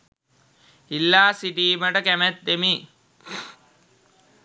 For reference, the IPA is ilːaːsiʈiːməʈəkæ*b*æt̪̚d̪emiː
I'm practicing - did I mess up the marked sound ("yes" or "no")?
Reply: yes